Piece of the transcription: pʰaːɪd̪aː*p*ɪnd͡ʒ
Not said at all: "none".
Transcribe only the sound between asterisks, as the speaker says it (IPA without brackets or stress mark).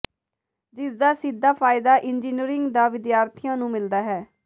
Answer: ʔ